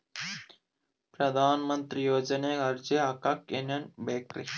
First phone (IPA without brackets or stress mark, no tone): p